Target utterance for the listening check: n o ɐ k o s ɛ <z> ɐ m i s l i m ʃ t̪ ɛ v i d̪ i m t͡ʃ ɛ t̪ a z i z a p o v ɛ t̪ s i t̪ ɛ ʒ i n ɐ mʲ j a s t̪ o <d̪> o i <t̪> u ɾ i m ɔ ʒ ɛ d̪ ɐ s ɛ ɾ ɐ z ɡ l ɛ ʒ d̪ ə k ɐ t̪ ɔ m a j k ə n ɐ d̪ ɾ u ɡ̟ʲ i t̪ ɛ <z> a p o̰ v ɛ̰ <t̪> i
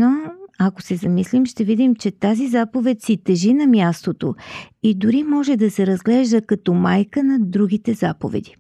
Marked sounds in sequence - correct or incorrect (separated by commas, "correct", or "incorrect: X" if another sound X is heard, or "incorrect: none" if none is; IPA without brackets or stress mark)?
correct, incorrect: t̪, incorrect: d̪, correct, incorrect: d̪